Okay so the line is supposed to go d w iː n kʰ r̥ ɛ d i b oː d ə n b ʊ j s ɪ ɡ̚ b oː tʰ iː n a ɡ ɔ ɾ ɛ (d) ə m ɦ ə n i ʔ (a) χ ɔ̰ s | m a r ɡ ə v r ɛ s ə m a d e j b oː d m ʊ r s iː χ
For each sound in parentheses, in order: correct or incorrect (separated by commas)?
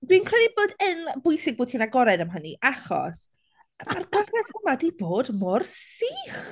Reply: correct, correct